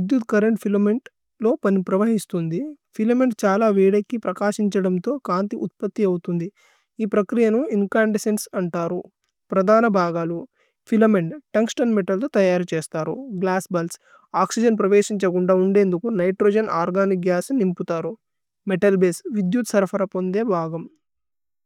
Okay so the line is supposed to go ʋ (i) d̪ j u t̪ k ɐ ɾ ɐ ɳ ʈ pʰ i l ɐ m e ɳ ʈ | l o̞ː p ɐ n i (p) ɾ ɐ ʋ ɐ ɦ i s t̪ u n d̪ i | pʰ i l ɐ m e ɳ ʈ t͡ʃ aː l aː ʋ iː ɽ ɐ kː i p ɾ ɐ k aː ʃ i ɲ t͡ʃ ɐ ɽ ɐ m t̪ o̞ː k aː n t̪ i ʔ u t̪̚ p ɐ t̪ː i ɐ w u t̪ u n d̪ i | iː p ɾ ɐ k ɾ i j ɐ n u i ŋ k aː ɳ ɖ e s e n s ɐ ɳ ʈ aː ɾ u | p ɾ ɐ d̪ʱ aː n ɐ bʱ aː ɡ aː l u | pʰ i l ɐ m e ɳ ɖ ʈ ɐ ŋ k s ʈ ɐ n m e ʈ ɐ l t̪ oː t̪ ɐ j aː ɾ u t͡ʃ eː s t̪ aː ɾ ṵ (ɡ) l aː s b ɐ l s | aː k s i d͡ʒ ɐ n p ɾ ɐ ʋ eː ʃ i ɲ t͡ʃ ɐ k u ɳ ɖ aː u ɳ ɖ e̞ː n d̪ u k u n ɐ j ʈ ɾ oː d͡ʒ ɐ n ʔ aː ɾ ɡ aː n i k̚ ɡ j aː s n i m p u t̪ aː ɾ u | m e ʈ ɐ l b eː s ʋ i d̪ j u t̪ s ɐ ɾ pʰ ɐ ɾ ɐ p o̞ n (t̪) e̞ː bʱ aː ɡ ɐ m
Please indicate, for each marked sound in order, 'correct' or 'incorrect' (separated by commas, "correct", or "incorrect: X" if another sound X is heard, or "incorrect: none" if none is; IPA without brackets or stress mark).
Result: correct, correct, correct, incorrect: d̪